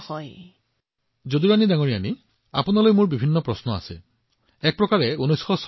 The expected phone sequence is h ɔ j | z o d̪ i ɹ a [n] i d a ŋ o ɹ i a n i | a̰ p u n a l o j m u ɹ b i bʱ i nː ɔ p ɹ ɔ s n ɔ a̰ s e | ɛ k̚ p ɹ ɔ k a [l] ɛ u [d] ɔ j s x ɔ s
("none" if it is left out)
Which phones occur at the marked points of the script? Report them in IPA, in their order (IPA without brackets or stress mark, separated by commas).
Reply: n, ɹ, n